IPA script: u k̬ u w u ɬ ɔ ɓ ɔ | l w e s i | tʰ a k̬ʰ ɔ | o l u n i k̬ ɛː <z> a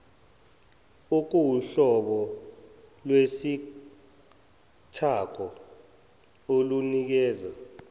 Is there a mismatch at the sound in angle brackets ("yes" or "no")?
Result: no